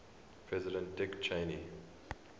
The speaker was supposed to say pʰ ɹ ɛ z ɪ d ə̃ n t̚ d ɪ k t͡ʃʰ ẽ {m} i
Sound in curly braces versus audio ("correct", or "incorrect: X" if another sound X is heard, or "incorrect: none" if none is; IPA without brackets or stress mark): incorrect: n